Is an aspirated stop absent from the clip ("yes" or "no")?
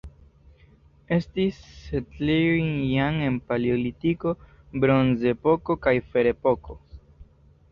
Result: yes